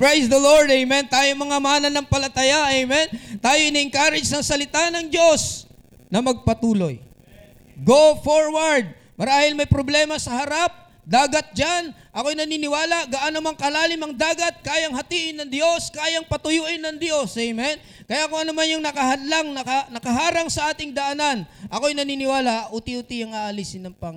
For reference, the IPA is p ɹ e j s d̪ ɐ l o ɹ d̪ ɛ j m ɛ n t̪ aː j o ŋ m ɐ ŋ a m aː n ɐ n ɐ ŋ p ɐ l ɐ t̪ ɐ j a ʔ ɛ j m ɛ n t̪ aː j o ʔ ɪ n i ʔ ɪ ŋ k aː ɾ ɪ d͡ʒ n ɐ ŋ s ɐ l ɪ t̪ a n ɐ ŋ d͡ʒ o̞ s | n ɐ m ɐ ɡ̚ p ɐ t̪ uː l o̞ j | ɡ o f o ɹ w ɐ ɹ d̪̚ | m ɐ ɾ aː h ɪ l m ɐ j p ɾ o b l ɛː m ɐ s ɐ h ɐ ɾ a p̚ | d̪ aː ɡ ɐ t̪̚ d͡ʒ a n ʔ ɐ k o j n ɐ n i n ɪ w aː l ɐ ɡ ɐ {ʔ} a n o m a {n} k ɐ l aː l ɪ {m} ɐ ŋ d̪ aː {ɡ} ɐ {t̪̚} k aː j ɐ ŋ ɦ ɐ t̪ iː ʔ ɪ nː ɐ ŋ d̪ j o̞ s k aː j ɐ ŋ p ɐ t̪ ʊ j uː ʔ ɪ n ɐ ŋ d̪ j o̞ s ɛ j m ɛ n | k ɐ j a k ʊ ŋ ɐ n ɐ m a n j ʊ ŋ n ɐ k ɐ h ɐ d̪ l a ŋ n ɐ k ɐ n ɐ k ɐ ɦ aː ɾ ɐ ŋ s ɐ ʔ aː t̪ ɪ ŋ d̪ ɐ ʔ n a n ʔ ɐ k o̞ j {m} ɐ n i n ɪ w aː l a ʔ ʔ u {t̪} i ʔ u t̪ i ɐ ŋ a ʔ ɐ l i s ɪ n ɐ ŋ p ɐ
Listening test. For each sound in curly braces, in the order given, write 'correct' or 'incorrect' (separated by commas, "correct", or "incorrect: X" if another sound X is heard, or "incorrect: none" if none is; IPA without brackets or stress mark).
correct, incorrect: ŋ, correct, correct, correct, incorrect: n, correct